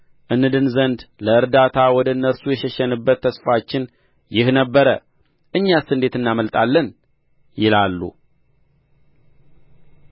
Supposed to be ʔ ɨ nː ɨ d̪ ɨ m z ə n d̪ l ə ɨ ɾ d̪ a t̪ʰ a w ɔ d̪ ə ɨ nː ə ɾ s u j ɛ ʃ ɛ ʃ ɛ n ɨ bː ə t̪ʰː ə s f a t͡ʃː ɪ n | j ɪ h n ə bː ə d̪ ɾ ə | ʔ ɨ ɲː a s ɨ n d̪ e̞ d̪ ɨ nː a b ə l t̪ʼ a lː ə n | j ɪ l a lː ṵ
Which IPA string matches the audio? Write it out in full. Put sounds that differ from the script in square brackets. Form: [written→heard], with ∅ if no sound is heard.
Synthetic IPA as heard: ʔ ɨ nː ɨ d̪ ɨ [m→n] z ə n d̪ l ə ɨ ɾ d̪ a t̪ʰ a w ɔ d̪ ə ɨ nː ə ɾ s u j ɛ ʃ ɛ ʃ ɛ n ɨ bː ə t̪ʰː ə s f a t͡ʃː ɪ n | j ɪ h n ə bː ə [d̪→∅] ɾ ə | ʔ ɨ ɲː a s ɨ n d̪ e̞ [d̪→t̪] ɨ nː a [b→m] ə l t̪ʼ a lː ə n | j ɪ l a lː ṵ